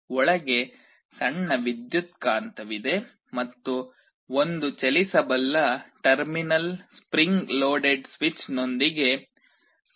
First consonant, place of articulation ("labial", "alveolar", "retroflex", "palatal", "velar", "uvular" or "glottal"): retroflex